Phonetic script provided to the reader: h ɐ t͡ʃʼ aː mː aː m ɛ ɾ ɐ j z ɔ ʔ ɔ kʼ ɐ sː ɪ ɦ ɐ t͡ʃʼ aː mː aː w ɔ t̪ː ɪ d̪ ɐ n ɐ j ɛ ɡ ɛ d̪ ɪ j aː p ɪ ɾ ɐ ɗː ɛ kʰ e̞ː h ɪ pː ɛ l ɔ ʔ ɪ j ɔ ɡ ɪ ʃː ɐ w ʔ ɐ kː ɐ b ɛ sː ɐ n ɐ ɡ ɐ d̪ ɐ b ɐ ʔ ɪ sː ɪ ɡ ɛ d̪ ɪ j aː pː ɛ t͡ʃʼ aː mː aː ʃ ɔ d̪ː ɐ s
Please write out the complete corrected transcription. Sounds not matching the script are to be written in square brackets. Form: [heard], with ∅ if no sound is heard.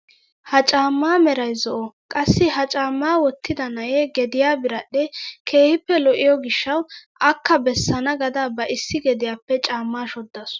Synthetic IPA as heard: h ɐ t͡ʃʼ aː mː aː m ɛ ɾ ɐ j z ɔ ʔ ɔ kʼ ɐ sː ɪ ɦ ɐ t͡ʃʼ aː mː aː w ɔ t̪ː ɪ d̪ ɐ n ɐ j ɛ ɡ ɛ d̪ ɪ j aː [b] ɪ ɾ ɐ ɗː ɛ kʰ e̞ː h ɪ pː ɛ l ɔ ʔ ɪ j ɔ ɡ ɪ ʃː ɐ w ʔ ɐ kː ɐ b ɛ sː ɐ n ɐ ɡ ɐ d̪ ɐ b ɐ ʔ ɪ sː ɪ ɡ ɛ d̪ ɪ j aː pː ɛ t͡ʃʼ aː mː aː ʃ ɔ d̪ː ɐ s

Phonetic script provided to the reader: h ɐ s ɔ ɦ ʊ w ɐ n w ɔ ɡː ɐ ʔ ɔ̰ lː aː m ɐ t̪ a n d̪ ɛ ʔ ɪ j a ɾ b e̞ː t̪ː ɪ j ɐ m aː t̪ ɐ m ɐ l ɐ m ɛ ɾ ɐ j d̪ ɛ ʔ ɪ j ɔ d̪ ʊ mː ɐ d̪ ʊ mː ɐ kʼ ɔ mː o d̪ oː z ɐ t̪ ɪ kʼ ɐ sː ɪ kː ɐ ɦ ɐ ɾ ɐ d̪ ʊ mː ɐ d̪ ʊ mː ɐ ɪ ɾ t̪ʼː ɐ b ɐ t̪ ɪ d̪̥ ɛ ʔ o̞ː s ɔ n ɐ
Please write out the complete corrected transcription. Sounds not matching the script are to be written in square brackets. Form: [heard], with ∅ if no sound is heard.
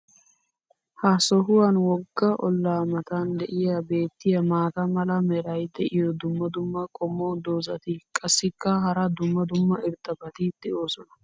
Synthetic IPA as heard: h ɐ s ɔ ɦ ʊ w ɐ n w ɔ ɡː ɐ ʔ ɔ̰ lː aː m ɐ t̪ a n d̪ ɛ ʔ ɪ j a [∅] b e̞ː t̪ː ɪ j ɐ m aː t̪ ɐ m ɐ l ɐ m ɛ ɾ ɐ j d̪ ɛ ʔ ɪ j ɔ d̪ ʊ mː ɐ d̪ ʊ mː ɐ kʼ ɔ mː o d̪ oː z ɐ t̪ ɪ kʼ ɐ sː ɪ kː ɐ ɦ ɐ ɾ ɐ d̪ ʊ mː ɐ d̪ ʊ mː ɐ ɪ ɾ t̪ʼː ɐ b ɐ t̪ ɪ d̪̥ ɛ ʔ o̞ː s ɔ n ɐ

